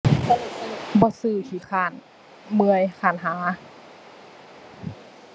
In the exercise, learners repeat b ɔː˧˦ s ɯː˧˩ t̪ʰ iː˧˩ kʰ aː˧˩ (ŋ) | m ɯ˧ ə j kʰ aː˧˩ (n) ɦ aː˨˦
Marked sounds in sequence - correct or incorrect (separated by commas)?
incorrect, correct